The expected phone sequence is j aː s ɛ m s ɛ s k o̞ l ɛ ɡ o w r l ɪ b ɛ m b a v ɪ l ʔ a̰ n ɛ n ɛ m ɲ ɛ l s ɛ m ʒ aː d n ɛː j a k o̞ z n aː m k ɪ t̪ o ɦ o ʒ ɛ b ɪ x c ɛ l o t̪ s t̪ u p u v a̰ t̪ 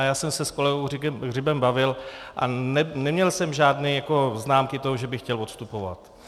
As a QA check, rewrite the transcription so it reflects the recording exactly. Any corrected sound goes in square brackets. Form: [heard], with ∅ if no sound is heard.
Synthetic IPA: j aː s ɛ m s ɛ s k o̞ l ɛ ɡ o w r [r] ɪ b ɛ m b a v ɪ l ʔ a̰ n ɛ n ɛ m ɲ ɛ l s ɛ m ʒ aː d n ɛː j a k o̞ z n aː m k ɪ t̪ o ɦ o ʒ ɛ b ɪ x c ɛ l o t̪ s t̪ u p [o] v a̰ t̪

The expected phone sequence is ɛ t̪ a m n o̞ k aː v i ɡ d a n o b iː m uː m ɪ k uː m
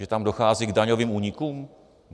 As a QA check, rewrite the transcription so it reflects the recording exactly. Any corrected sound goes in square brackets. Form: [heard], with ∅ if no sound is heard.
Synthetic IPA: ɛ t̪ a m [d] o̞ [x] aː [z] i ɡ d a [ɲ] o [v] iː m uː [ɲ] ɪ k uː m

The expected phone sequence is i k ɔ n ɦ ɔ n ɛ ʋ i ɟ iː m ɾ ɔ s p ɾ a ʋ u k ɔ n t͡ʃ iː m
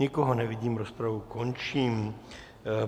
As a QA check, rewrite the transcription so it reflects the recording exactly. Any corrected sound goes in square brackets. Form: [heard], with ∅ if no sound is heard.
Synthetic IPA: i k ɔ [∅] ɦ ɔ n ɛ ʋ i ɟ iː m ɾ ɔ s p ɾ a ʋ u k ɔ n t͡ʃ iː m

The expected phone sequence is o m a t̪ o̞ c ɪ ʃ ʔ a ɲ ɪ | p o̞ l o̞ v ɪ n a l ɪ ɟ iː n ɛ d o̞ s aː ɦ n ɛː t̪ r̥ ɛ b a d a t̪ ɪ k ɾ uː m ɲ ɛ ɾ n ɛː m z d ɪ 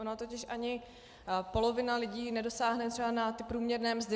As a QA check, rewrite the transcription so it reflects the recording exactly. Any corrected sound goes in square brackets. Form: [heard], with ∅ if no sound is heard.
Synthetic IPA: o [n] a t̪ o̞ c ɪ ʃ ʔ a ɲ ɪ | p o̞ l o̞ v ɪ n a l ɪ ɟ iː n ɛ d o̞ s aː ɦ n [ɛ] t̪ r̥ ɛ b a [n] a t̪ ɪ [p] ɾ uː m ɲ ɛ ɾ n ɛː m z d ɪ

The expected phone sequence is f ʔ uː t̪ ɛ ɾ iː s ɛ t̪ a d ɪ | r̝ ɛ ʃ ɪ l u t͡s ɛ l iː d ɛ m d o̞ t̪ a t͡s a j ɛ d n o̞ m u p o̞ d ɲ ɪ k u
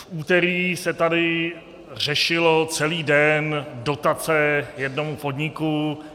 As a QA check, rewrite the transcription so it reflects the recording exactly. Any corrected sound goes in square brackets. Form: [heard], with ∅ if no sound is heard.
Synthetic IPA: f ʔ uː t̪ ɛ ɾ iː s ɛ t̪ a d ɪ | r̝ ɛ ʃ ɪ l [o] t͡s ɛ l iː d ɛ [n] d o̞ t̪ a t͡s [ɛ] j ɛ d n o̞ m u p o̞ d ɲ ɪ k u

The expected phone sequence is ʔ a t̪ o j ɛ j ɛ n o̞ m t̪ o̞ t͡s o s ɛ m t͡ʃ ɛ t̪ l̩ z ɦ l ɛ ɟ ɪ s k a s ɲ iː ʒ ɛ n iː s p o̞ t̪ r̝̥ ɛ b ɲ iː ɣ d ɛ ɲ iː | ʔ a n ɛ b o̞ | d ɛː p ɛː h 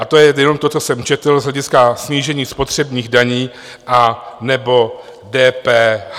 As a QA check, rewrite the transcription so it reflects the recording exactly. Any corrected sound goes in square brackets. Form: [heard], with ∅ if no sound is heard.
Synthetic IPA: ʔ a t̪ o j ɛ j ɛ n o̞ m t̪ o̞ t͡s o s ɛ m t͡ʃ ɛ t̪ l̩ z ɦ l ɛ ɟ ɪ s k a s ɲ iː ʒ ɛ [ɲ] iː s p o̞ t̪ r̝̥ ɛ b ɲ iː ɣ d [a] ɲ iː | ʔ a n ɛ b o̞ | d ɛː p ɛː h

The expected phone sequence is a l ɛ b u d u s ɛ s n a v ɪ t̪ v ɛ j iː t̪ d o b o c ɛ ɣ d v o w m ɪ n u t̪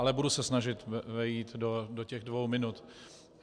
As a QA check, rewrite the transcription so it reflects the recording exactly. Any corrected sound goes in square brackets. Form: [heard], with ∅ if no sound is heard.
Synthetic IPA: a l ɛ b u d u s ɛ s n a [ʒ] ɪ t̪ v ɛ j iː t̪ d o [d] o c ɛ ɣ d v o w m ɪ n u t̪

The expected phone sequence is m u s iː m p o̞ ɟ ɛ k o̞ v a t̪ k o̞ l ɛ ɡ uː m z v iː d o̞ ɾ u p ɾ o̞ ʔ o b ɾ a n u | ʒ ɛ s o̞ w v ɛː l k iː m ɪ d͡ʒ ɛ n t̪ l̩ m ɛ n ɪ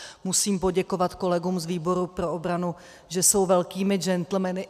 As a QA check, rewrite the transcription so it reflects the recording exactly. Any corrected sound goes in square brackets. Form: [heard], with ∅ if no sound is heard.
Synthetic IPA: m u s iː m p o̞ ɟ ɛ k o̞ v a t̪ k o̞ l ɛ ɡ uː m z v iː [b] o̞ ɾ u p ɾ o̞ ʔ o b ɾ a n u | ʒ ɛ s o̞ w v [ɛ] l k iː m ɪ d͡ʒ ɛ n t̪ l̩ m ɛ n ɪ

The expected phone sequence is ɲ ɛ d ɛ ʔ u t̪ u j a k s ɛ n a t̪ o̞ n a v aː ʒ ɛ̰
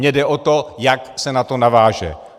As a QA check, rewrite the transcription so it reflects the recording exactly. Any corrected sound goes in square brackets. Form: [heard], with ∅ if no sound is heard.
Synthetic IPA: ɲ ɛ d ɛ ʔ [o] t̪ [o] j a k s ɛ n a t̪ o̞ n a v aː ʒ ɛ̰

